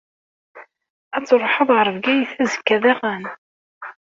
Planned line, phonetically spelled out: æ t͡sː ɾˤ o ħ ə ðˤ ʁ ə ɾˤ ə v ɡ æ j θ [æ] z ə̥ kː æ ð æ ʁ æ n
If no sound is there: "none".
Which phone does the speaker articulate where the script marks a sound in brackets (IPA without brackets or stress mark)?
æ